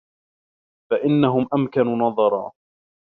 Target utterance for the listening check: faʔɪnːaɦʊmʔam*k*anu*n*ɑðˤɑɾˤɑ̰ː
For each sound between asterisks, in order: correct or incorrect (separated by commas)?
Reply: correct, correct